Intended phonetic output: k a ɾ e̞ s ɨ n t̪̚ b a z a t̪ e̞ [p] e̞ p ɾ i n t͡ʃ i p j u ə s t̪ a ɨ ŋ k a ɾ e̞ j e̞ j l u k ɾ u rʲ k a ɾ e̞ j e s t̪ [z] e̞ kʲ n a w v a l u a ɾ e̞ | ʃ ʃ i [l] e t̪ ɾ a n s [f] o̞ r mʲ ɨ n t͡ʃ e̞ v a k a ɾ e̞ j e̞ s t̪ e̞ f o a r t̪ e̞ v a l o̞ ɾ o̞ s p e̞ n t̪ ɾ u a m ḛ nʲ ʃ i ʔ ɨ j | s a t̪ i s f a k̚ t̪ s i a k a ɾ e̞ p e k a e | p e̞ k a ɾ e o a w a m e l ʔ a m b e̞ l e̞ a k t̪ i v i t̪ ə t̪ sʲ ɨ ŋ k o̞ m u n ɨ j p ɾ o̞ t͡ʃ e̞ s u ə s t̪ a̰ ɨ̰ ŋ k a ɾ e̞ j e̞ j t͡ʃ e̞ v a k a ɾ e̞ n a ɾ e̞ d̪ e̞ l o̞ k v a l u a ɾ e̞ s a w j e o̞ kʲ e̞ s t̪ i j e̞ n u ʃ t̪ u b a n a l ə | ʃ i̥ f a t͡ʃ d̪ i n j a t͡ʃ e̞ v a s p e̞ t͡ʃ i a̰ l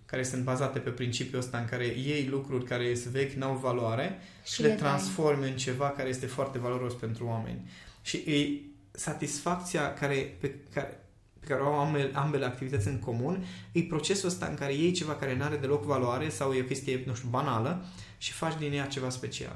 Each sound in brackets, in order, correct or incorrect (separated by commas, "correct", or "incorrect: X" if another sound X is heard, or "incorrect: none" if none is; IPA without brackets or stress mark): correct, incorrect: v, correct, correct